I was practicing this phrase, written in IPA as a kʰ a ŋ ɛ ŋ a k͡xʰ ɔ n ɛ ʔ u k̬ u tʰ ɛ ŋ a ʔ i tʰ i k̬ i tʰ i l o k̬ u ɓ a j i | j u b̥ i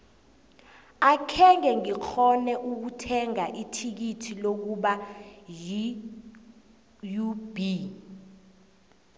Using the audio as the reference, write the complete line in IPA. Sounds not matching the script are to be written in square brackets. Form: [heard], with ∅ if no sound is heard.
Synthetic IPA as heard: a kʰ [ɛ] ŋ ɛ ŋ [i] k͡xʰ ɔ n ɛ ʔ u k̬ u tʰ ɛ ŋ a ʔ i tʰ i k̬ i tʰ i l o k̬ u ɓ a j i | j u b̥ i